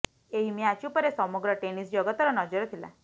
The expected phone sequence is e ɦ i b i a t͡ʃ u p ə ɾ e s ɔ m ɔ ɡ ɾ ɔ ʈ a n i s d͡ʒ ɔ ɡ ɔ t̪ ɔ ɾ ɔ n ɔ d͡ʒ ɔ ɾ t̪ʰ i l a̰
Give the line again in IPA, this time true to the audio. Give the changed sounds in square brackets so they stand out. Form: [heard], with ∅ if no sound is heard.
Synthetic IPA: e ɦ i [m] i a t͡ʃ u p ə ɾ e s ɔ m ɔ ɡ ɾ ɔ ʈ [e] n i s d͡ʒ ɔ ɡ ɔ t̪ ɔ ɾ ɔ n ɔ d͡ʒ ɔ ɾ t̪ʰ i l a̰